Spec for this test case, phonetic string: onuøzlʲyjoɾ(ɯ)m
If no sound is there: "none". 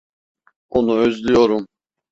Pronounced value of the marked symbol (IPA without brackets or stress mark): u